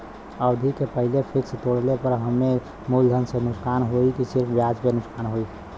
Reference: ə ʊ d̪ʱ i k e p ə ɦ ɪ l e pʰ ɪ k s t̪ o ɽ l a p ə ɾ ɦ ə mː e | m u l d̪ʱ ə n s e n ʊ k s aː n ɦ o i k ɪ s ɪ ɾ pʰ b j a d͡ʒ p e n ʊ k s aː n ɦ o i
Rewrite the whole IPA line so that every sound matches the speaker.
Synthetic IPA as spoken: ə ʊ d̪ʱ i k e p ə ɦ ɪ l e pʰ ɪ k s t̪ o ɽ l e p ə ɾ ɦ ə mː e | m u l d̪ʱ ə n s e n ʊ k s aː n ɦ o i k i s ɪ ɾ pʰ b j a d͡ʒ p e n ʊ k s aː n ɦ o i